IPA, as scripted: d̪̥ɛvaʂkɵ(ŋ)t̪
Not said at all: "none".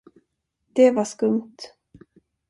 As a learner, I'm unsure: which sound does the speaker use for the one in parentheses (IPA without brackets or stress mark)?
m